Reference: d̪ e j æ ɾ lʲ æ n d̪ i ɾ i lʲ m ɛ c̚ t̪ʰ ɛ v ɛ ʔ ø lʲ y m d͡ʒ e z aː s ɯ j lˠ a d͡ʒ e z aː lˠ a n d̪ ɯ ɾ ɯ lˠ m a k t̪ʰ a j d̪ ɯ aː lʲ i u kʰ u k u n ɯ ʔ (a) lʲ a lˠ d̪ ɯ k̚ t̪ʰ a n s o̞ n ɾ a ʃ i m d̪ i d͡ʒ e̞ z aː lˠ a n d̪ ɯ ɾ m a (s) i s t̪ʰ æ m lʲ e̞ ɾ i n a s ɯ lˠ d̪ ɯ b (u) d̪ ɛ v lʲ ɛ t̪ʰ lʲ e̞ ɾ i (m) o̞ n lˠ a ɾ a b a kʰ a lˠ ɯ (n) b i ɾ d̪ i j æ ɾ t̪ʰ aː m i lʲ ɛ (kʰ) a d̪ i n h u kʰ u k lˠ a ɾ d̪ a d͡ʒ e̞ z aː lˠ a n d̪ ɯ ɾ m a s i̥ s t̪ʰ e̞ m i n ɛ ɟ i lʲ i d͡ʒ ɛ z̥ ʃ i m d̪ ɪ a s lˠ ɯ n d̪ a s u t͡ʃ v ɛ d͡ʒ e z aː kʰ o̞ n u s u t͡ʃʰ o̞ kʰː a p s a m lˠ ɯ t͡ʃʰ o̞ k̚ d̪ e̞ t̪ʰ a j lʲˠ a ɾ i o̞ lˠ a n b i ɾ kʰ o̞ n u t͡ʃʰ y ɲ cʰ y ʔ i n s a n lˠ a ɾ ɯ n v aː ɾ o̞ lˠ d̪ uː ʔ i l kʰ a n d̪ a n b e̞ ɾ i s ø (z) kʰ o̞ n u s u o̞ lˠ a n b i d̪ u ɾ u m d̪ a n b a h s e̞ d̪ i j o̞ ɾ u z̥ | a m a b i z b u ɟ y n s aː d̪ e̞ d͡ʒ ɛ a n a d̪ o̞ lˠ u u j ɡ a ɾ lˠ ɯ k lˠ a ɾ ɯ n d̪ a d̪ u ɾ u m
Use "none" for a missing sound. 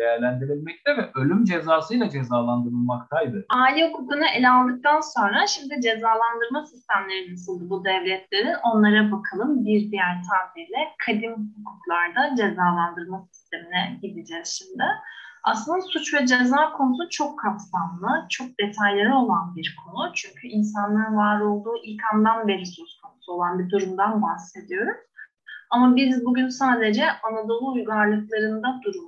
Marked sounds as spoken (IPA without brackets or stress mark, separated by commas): e, s, u, n, m, kʰ, s